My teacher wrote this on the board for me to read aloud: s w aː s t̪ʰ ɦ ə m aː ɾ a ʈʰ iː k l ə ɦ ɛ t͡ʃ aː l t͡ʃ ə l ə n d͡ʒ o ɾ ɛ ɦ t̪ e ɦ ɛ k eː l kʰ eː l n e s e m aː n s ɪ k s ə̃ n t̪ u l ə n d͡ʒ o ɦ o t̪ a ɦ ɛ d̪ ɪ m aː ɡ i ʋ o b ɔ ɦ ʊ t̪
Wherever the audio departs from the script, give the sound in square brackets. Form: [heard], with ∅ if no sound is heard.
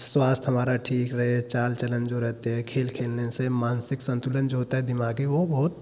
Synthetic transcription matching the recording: s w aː s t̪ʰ ɦ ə m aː ɾ a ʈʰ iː k [ɾ] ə ɦ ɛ t͡ʃ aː l t͡ʃ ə l ə n d͡ʒ o ɾ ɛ ɦ t̪ e ɦ ɛ [kʰ] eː l kʰ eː l n e s e m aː n s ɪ k s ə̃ n t̪ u l ə n d͡ʒ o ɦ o t̪ a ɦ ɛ d̪ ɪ m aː ɡ i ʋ o b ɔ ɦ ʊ t̪